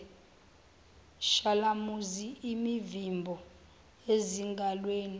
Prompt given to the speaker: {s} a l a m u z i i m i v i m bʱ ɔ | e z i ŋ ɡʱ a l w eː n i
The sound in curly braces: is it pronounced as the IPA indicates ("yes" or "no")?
no